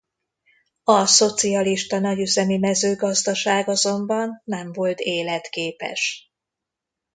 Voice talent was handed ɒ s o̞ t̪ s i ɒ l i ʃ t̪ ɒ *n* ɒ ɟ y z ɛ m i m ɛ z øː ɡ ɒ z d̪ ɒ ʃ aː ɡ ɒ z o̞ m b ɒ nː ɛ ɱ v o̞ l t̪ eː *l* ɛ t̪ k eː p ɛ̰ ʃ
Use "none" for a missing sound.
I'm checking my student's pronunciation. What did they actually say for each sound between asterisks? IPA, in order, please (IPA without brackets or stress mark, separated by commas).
n, l